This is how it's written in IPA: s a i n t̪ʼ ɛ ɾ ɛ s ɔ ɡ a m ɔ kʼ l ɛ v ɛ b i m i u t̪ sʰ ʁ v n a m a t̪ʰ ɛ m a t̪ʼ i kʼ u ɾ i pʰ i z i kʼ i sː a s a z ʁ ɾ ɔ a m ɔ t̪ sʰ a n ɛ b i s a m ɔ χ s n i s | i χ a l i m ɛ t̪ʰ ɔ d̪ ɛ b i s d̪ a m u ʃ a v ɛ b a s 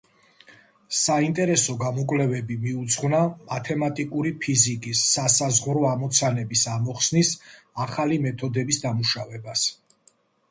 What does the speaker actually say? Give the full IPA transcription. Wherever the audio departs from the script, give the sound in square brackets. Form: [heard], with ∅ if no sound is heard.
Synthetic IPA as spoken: s a i n t̪ʼ ɛ ɾ ɛ s ɔ ɡ a m ɔ kʼ l ɛ v ɛ b i m i u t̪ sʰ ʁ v n a m a t̪ʰ ɛ m a t̪ʼ i kʼ u ɾ i pʰ i z i kʼ i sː a s a z ʁ ɾ ɔ a m ɔ t̪ sʰ a n ɛ b i s a m ɔ χ s n i s | [a] χ a l i m ɛ t̪ʰ ɔ d̪ ɛ b i s d̪ a m u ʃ a v ɛ b a s